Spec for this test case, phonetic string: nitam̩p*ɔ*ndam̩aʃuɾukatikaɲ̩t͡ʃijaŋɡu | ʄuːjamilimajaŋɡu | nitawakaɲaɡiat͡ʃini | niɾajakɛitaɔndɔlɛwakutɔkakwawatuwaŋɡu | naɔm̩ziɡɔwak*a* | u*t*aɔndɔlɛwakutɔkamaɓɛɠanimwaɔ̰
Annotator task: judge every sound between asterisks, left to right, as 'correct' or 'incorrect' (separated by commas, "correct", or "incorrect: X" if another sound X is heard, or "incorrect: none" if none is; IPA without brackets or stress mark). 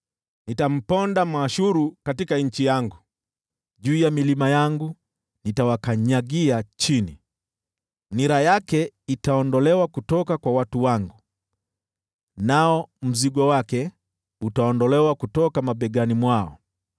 correct, incorrect: ɛ, correct